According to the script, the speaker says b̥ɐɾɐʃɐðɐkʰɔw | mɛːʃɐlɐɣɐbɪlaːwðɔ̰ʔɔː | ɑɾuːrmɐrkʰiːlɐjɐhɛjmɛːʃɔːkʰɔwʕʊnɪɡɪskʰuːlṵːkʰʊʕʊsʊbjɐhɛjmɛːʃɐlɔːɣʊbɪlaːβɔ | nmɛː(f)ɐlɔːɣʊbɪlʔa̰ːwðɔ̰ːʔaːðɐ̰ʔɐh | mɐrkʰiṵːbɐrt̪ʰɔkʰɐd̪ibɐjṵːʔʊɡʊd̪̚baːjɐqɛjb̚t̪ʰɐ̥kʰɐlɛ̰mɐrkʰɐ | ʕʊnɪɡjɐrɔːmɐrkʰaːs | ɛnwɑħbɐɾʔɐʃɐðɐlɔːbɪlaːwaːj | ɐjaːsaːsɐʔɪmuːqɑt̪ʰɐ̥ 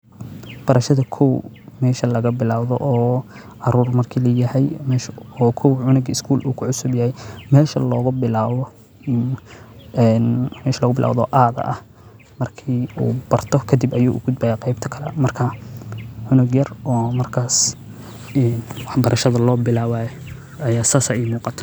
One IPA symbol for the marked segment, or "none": ʃ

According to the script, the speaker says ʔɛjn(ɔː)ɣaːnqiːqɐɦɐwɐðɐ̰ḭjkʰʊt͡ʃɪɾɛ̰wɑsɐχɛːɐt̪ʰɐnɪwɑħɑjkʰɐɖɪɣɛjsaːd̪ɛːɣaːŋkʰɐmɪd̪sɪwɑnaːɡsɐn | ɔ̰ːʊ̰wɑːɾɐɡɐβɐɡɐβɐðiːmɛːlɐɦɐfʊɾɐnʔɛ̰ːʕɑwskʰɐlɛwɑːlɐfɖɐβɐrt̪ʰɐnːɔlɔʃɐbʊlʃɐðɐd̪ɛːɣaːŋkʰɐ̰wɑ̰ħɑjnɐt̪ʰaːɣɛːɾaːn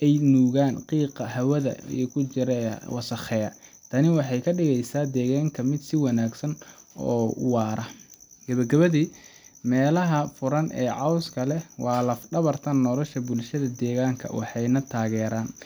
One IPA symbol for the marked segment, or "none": uː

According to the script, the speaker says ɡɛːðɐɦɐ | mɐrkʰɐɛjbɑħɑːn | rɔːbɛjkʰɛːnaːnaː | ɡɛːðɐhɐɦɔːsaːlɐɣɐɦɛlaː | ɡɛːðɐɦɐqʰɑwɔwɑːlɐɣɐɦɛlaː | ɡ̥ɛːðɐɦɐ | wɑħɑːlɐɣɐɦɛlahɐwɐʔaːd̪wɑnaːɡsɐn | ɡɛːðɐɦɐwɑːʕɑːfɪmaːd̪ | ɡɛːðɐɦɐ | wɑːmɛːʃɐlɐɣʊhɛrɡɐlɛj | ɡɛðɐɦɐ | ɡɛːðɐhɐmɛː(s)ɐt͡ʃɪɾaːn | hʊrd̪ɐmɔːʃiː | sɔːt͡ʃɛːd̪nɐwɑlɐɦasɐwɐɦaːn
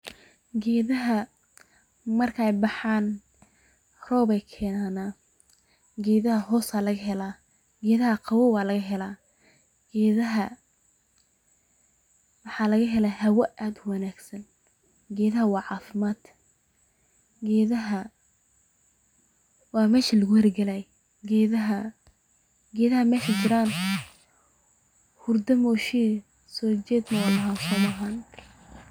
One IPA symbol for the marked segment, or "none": ʃ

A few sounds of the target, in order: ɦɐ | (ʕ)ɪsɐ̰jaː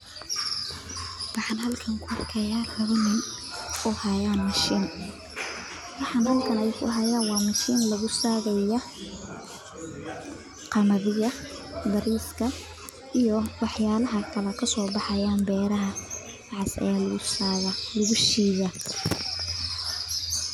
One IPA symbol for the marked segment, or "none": ʕ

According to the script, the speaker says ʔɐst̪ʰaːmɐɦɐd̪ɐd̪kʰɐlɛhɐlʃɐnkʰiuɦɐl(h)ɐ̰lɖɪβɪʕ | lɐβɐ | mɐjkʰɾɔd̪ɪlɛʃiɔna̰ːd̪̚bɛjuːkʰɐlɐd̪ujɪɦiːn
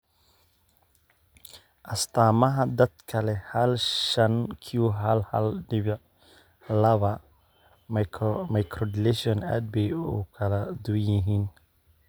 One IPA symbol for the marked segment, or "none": h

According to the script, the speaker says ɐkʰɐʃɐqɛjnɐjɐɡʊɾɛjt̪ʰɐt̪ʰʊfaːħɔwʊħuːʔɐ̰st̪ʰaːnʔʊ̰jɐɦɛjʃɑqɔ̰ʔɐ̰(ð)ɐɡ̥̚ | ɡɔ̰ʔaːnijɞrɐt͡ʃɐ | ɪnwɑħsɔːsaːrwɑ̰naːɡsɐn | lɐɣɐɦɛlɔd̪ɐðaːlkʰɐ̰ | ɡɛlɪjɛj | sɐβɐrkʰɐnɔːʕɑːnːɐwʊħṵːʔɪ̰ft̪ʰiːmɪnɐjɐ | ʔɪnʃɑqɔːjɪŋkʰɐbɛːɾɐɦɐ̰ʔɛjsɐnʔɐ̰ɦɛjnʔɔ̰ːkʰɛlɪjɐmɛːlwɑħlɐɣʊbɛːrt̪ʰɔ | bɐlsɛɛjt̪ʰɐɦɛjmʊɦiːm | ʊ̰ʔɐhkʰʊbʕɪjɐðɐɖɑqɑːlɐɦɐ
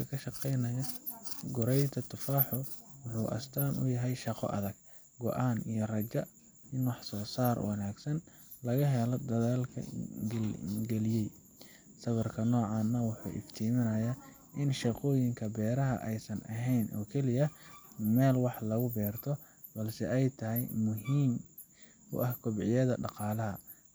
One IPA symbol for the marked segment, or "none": ð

